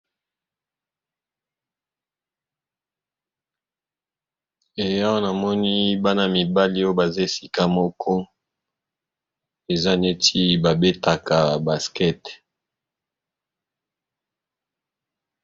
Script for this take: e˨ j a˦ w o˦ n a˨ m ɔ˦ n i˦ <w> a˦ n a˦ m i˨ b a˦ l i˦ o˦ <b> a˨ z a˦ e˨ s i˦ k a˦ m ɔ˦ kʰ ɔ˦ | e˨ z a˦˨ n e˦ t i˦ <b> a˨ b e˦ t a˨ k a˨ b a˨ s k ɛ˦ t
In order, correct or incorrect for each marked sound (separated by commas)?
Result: incorrect, correct, correct